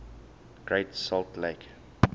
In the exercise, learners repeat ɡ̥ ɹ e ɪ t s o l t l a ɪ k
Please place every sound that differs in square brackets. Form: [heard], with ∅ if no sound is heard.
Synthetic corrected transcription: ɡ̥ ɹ e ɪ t s [ɔ] l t l [e] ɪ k